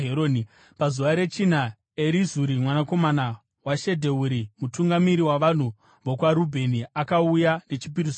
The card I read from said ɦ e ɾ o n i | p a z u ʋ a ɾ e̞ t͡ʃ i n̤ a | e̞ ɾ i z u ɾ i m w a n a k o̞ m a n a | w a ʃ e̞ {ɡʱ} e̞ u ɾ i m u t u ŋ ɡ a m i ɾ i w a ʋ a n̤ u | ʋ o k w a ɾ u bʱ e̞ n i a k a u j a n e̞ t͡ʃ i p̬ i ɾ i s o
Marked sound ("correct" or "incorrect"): incorrect